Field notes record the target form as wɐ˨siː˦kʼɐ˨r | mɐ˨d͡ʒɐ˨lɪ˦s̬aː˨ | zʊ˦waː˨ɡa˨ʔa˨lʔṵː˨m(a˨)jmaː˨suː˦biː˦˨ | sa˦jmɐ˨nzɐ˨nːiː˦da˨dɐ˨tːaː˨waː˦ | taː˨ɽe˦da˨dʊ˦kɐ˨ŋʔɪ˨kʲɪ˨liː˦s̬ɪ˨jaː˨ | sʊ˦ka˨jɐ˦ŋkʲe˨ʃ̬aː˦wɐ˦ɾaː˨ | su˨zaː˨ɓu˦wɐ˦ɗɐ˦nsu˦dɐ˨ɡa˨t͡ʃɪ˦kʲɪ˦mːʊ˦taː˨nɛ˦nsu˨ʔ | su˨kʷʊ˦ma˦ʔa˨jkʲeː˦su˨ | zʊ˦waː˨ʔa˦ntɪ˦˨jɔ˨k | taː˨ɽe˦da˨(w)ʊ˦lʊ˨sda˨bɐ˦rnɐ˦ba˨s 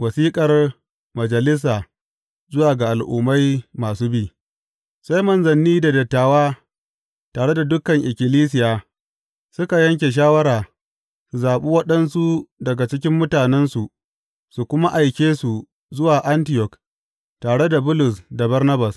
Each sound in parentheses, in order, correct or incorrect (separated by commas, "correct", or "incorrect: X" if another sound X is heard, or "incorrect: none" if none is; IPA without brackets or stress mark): incorrect: a˦, incorrect: b